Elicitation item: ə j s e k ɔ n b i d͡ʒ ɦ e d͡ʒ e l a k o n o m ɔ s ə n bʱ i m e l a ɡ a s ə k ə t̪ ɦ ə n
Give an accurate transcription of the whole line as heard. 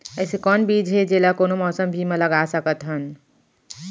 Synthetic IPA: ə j s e k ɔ n b i d͡ʒ ɦ e d͡ʒ e l a k o n o m ɔ s ə m bʱ i m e l ə ɡ a s ə k ə t̪ ɦ ə n